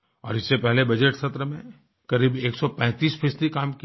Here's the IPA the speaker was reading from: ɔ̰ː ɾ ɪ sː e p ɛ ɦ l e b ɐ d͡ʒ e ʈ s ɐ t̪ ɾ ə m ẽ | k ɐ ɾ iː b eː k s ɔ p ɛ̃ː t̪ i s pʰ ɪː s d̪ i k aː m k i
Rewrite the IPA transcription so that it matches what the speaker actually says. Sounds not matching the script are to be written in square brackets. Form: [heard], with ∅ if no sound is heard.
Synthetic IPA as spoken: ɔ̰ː ɾ ɪ sː e p ɛ ɦ l e b ɐ d͡ʒ e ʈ s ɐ t̪ ɾ ə m ẽ | k ɐ ɾ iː b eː k s ɔ p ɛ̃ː t̪ [iː] s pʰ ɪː s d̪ i k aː m k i